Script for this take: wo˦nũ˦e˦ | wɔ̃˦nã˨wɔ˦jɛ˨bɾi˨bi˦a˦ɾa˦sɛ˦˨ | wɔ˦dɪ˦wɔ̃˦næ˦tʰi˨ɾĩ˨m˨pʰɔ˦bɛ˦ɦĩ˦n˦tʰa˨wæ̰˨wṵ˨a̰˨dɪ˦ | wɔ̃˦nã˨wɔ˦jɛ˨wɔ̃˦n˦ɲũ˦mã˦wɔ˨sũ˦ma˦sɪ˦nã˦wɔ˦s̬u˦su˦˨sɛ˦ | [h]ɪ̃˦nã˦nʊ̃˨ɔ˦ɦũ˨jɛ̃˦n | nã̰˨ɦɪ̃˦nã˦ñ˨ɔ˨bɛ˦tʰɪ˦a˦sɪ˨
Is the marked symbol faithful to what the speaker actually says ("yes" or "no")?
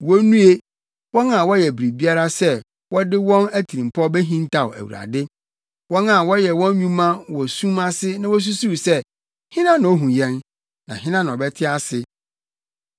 yes